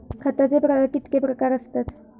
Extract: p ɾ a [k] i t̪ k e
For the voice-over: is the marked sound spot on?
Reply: yes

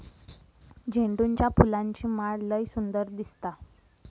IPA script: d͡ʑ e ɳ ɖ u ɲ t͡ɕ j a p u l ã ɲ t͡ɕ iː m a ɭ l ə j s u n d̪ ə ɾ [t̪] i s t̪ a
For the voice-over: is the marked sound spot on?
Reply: no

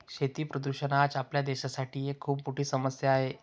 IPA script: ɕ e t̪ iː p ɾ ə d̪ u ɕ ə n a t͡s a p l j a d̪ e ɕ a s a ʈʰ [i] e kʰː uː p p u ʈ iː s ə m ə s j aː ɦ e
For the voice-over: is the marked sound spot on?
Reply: no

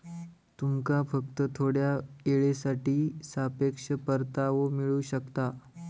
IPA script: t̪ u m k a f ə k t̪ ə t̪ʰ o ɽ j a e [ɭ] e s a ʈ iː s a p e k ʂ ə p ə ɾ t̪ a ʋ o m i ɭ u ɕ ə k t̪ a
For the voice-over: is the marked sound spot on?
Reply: yes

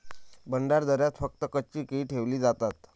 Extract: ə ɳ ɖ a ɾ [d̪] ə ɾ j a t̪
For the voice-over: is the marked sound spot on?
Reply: yes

